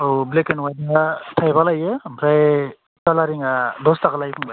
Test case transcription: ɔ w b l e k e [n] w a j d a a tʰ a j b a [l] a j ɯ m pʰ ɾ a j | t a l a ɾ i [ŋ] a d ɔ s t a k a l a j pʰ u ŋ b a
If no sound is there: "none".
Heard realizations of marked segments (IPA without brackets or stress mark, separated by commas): n, l, ŋ